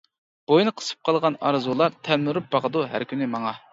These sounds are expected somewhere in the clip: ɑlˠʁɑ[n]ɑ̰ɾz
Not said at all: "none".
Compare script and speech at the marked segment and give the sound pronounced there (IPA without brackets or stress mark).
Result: n